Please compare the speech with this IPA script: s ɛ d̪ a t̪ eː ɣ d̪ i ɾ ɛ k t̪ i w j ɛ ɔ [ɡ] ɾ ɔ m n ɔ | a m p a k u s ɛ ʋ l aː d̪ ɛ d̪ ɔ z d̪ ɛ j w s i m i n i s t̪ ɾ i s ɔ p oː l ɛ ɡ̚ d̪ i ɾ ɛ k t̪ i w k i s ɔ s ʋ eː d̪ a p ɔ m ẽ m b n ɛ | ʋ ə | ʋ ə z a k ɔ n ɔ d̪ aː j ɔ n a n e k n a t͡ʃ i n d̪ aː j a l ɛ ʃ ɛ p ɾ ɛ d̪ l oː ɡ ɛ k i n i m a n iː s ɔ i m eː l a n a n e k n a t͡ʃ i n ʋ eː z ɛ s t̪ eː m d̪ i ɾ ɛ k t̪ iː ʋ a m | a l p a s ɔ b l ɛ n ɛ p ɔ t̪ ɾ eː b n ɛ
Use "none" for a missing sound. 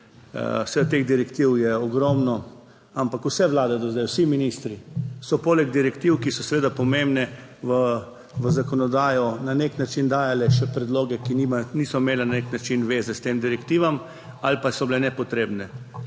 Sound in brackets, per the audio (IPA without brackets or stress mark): ɡ